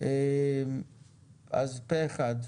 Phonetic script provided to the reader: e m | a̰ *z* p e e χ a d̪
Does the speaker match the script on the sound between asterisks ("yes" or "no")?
yes